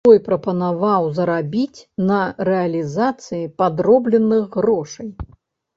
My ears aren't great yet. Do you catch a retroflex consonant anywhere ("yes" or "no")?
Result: yes